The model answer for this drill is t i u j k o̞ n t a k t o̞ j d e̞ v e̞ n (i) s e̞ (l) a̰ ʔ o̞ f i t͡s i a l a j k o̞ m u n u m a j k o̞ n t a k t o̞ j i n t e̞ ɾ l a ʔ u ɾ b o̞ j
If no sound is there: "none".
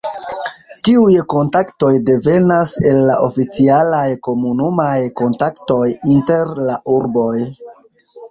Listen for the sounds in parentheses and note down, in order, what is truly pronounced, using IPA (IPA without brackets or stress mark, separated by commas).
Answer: a, lː